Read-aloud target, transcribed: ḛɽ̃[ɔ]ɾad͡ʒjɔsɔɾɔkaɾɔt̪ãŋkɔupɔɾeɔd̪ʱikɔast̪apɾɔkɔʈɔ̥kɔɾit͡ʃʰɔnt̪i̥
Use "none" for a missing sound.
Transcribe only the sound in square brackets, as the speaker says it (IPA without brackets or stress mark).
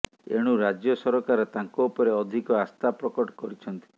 u